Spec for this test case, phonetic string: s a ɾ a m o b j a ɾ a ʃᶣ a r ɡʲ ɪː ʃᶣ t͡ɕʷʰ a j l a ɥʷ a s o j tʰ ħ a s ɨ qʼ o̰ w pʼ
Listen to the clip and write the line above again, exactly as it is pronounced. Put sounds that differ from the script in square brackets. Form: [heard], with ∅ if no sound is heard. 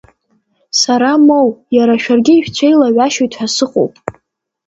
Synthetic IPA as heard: s a ɾ a m o [w] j a ɾ a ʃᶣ a r ɡʲ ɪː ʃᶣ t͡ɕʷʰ [e] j l a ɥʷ a [ʃ] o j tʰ ħ a s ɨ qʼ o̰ w pʼ